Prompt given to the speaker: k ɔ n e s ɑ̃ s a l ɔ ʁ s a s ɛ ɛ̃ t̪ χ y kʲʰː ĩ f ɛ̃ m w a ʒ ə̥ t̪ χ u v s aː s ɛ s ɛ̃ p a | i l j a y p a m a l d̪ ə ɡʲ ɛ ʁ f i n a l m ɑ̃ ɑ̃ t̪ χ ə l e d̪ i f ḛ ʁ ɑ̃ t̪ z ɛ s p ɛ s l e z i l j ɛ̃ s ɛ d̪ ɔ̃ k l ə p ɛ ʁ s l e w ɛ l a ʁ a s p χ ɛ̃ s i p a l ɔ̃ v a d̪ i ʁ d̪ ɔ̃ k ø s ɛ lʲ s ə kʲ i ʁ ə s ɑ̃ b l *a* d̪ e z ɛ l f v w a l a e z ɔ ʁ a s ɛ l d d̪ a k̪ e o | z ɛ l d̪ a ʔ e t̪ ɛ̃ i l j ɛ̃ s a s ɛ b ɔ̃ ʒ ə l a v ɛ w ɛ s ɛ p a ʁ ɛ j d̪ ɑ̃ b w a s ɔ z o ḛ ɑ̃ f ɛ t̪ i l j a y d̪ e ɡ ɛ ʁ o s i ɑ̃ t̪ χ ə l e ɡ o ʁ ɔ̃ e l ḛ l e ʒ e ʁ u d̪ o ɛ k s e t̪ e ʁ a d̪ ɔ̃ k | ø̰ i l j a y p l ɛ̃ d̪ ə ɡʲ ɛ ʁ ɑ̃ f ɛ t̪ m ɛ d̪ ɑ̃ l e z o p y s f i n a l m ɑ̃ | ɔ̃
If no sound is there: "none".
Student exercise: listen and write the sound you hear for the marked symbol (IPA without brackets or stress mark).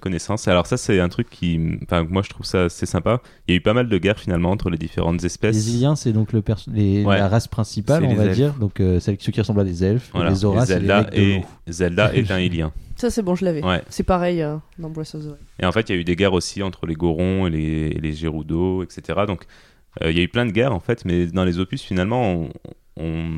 a